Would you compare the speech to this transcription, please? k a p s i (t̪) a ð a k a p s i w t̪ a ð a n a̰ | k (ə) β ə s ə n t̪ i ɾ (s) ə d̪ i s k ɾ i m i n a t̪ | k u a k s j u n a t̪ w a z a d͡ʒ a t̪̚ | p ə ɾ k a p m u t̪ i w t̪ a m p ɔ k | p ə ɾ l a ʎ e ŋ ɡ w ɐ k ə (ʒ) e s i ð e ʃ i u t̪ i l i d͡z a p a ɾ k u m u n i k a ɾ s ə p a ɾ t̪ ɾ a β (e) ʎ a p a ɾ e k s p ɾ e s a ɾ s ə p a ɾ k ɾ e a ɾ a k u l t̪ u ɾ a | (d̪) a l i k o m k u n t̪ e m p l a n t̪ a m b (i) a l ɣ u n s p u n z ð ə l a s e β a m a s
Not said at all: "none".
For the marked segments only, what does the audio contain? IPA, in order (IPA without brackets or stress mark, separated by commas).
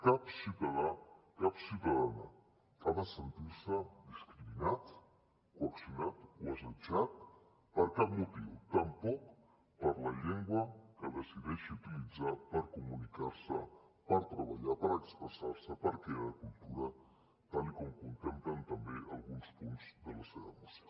t̪, a, s, ð, a, t̪, e